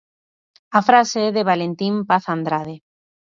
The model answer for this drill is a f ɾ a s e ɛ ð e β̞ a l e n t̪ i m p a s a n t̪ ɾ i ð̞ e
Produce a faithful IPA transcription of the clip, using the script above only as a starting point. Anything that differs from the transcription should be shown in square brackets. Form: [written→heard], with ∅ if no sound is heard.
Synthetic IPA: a f ɾ a s e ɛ ð e β̞ a l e n t̪ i m p a [s→θ] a n [t̪→d̪] ɾ [i→a] ð̞ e